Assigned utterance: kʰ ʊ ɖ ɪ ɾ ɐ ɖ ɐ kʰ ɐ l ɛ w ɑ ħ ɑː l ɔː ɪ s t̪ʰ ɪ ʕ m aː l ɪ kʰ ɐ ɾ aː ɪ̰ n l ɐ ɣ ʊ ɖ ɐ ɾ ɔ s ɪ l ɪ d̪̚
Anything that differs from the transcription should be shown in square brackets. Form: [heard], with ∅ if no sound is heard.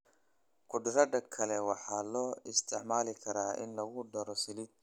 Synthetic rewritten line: kʰ ʊ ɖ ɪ ɾ ɐ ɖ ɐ kʰ ɐ l ɛ w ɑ ħ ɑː l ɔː ɪ s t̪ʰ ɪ ʕ m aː l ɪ kʰ ɐ ɾ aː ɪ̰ n l ɐ ɣ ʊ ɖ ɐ ɾ ɔ s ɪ l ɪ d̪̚